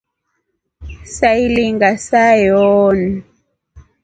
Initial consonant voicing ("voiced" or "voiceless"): voiceless